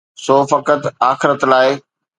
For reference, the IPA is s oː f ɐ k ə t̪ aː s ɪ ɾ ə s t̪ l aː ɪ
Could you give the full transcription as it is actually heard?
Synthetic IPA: s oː f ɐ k ə t̪ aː x ɪ ɾ ə t̪ l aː ɪ